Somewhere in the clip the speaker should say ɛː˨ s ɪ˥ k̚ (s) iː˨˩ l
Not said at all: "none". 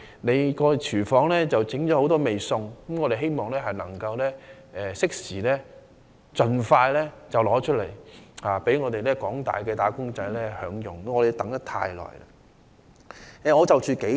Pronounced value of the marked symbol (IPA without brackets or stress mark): s